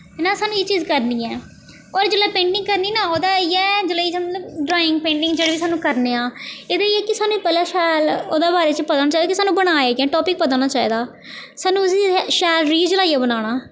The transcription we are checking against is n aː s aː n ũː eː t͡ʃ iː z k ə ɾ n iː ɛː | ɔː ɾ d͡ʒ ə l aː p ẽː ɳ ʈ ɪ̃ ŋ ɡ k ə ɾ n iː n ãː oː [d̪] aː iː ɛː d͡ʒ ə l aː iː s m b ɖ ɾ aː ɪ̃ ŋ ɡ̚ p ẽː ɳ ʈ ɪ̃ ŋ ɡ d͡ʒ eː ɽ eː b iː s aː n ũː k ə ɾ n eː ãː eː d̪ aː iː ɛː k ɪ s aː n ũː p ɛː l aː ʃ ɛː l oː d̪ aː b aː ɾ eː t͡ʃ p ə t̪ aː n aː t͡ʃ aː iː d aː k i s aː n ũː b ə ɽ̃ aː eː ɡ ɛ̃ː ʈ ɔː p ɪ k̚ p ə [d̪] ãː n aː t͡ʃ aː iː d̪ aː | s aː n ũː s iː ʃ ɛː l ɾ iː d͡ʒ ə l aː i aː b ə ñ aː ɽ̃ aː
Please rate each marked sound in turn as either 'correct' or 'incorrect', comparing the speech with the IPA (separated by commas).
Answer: correct, incorrect